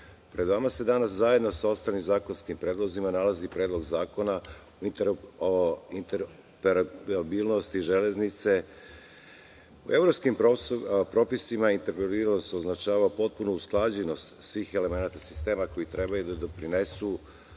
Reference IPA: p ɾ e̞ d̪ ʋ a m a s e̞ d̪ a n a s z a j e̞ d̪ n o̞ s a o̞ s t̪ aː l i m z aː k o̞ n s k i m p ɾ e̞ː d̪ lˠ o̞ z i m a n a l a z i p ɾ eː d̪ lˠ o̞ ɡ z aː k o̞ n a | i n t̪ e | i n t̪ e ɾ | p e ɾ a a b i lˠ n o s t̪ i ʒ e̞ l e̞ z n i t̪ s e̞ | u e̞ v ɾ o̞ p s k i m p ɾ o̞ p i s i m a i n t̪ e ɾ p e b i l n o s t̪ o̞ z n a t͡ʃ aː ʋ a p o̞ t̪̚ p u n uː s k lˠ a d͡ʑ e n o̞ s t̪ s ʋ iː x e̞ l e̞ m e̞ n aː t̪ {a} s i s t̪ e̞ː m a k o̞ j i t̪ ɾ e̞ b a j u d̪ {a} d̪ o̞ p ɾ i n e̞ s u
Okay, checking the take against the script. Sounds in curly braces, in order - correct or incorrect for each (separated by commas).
correct, correct